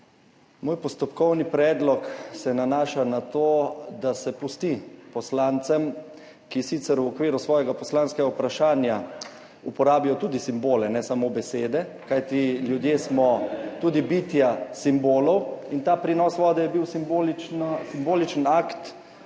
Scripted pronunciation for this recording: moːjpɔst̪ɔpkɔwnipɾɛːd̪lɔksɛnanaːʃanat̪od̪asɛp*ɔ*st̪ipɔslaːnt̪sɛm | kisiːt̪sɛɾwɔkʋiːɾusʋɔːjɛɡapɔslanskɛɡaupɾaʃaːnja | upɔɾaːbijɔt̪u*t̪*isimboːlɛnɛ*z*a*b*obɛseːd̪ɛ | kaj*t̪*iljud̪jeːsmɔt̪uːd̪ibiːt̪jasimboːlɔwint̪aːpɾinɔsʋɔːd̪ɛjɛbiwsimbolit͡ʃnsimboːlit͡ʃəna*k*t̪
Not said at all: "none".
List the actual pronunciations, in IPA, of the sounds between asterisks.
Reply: u, d̪, s, m, t̪, k

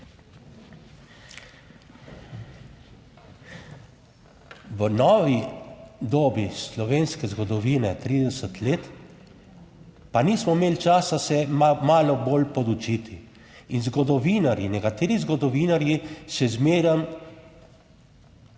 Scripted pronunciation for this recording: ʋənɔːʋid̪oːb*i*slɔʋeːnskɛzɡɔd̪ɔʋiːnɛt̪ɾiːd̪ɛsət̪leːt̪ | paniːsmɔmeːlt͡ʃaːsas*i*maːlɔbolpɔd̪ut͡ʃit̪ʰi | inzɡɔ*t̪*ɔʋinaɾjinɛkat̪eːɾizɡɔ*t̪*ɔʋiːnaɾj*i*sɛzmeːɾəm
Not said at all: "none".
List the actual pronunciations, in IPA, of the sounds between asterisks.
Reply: i, ɛ, d̪, d̪, i

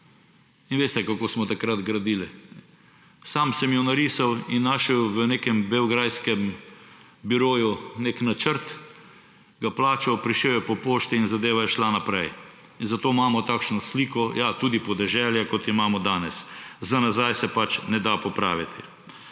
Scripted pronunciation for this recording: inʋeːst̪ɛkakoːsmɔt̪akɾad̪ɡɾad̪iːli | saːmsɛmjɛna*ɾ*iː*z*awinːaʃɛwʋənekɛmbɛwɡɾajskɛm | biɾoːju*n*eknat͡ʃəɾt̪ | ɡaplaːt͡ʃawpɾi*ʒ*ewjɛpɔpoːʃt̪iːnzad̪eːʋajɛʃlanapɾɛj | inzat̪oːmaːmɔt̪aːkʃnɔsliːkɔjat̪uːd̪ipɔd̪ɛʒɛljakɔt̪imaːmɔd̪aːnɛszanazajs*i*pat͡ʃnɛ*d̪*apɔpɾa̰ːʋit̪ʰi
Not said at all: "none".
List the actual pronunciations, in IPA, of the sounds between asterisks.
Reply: ɾ, s, n, ʃ, ɛ, d̪

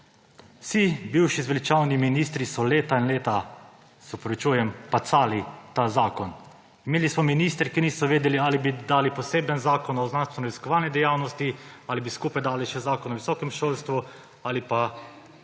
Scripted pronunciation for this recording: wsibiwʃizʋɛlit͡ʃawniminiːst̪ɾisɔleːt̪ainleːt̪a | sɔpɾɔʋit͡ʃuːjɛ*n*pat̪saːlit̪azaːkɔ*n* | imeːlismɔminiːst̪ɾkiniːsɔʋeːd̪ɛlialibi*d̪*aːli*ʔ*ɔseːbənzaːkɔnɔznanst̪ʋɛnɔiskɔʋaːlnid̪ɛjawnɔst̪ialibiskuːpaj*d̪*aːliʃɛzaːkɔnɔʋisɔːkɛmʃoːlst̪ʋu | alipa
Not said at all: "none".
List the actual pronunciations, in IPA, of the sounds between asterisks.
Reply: m, n, d̪, p, d̪

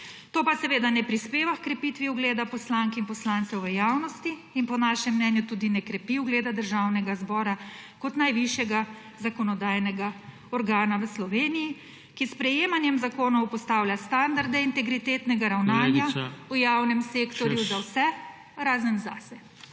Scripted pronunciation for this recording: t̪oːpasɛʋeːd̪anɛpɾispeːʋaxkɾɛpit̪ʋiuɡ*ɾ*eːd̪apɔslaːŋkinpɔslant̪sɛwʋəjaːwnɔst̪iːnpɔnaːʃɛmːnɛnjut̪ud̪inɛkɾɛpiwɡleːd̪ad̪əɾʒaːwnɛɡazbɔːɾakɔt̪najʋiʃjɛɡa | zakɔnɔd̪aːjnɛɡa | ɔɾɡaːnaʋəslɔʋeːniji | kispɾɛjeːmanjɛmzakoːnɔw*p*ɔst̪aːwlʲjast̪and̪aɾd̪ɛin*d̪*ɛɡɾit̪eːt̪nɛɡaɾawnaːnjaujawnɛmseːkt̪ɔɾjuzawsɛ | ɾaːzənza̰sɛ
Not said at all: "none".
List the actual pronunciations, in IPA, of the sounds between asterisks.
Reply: l, p, t̪

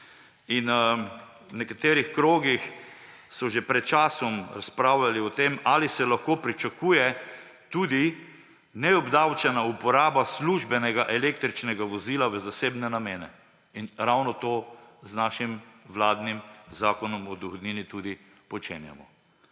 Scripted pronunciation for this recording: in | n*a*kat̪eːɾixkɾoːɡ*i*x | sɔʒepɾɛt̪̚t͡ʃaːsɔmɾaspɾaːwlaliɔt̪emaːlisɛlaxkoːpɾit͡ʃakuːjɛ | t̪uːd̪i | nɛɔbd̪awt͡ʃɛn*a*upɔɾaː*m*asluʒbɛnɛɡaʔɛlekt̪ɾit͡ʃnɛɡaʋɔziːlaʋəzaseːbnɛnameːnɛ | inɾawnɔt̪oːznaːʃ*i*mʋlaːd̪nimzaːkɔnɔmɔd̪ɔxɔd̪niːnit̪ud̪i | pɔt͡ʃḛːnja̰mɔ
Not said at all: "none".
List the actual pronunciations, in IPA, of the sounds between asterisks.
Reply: ɛ, i, a, b, i

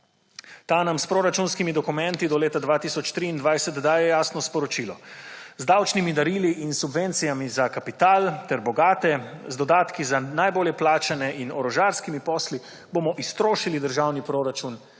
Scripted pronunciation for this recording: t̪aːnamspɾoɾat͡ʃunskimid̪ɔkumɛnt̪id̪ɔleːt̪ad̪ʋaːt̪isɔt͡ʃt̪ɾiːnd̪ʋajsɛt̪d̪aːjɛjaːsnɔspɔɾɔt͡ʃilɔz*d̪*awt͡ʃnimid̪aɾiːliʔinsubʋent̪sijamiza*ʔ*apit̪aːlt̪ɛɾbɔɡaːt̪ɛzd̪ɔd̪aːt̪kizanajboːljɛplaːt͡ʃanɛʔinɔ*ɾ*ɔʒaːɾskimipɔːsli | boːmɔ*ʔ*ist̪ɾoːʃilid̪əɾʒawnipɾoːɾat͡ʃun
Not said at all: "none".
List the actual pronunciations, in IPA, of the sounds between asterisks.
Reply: d̪, k, ɾ, ʔ

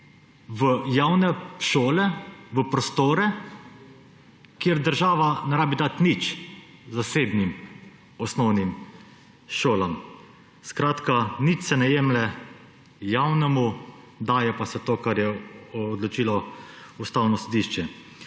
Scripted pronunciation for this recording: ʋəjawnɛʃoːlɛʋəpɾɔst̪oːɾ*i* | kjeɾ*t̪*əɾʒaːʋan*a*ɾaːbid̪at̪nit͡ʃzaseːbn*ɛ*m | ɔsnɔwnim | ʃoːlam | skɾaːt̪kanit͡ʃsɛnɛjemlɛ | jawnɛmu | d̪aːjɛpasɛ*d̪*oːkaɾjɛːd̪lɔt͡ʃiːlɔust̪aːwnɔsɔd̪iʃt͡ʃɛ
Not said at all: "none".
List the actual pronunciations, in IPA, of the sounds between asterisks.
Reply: ɛ, d̪, ɛ, i, t̪

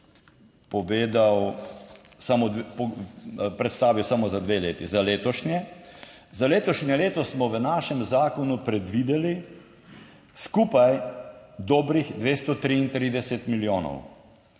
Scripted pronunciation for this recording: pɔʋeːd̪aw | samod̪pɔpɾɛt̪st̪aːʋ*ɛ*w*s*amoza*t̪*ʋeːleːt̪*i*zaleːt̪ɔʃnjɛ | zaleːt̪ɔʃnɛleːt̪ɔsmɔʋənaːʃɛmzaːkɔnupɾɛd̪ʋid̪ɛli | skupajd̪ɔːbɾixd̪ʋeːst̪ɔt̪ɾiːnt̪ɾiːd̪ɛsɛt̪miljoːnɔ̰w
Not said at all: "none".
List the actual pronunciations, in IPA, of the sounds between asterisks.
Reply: i, s, d̪, i

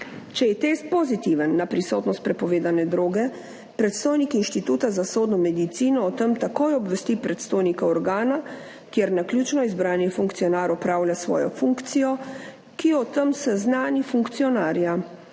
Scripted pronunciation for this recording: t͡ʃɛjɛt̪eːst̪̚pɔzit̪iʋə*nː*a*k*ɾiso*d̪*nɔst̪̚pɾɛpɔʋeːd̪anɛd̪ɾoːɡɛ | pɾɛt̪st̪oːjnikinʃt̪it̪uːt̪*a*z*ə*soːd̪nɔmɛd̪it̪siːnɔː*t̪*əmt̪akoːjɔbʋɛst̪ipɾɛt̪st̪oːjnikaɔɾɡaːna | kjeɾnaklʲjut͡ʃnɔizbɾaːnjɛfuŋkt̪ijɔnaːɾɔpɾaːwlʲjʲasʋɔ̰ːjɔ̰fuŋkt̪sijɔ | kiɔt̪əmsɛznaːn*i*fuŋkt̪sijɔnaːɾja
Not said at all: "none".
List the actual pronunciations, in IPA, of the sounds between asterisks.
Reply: nː, p, t̪, a, a, t̪, i

